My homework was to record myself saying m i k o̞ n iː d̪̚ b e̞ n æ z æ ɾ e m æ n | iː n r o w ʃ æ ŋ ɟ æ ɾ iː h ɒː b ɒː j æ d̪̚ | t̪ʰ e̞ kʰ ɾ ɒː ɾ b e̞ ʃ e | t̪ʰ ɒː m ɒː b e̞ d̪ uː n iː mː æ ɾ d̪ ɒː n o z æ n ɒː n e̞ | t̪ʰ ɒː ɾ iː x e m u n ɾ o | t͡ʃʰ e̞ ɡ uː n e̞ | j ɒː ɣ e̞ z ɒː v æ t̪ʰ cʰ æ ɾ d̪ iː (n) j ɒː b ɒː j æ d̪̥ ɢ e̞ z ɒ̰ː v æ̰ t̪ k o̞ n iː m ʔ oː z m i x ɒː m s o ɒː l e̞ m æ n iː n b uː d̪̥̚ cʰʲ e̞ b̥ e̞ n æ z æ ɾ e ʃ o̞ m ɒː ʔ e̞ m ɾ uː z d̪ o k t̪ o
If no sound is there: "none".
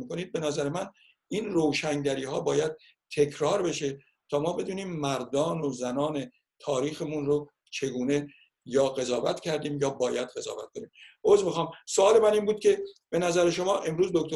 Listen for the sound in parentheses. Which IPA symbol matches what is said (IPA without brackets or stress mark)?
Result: m